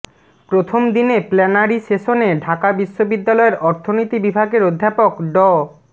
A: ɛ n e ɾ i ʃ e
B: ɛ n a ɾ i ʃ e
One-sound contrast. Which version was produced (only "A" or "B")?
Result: B